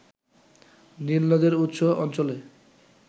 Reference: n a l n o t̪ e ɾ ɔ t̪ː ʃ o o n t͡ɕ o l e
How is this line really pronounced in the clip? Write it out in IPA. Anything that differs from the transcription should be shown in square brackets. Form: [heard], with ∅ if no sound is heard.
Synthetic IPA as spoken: n [i] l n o [d̪] e ɾ [u] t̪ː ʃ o [ɔ] n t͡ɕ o l e

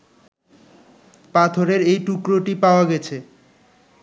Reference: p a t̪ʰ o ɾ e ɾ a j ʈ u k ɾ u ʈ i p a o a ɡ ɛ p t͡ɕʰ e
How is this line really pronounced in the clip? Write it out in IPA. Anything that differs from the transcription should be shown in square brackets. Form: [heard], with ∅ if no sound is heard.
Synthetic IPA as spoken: p a t̪ʰ o ɾ e ɾ [e] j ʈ u k ɾ [o] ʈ i p a o a ɡ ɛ [∅] t͡ɕʰ e

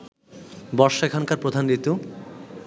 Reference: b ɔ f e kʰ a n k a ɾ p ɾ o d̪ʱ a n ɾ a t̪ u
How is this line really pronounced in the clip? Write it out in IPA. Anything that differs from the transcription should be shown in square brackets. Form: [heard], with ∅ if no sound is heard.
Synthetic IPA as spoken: b ɔ [ʃ] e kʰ a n k a ɾ p ɾ o d̪ʱ a n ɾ [i] t̪ u

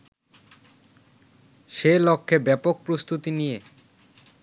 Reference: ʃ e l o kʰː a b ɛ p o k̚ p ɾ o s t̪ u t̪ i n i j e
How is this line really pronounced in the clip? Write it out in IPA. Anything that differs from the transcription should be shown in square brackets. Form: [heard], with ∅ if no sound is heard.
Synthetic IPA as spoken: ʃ e l o kʰː [e] b ɛ p o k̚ p ɾ o s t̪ u t̪ i n i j e

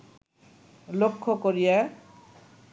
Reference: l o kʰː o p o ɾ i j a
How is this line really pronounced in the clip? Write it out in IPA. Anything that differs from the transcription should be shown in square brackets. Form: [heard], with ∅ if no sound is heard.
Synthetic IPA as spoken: l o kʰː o [k] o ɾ i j a

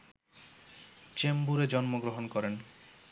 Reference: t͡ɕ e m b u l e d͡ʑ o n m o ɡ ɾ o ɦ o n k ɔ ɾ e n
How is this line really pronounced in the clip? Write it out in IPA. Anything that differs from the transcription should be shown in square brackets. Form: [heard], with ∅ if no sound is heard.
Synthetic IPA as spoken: t͡ɕ e m b u [ɾ] e d͡ʑ [ɔ] n m o ɡ ɾ o ɦ o n k ɔ ɾ e n

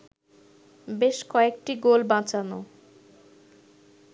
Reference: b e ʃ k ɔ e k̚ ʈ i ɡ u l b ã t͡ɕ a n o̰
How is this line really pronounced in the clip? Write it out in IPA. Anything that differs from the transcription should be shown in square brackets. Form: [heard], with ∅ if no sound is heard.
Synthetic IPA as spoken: b e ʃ k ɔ e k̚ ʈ i ɡ [o] l b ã t͡ɕ a n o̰

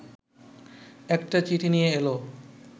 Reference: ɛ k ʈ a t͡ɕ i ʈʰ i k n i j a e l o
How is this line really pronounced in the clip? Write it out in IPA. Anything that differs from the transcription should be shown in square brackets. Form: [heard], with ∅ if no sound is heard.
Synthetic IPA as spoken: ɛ k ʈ a t͡ɕ i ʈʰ i [∅] n i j [e] e l o

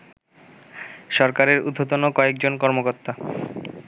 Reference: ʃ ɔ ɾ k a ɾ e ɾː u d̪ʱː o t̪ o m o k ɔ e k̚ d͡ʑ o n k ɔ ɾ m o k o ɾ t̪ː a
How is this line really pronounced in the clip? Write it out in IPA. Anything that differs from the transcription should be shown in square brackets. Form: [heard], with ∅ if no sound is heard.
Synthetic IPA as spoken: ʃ ɔ ɾ k a ɾ e [ɾ] u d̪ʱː o t̪ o [n] o k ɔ e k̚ d͡ʑ o n k ɔ ɾ m o k o ɾ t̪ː a

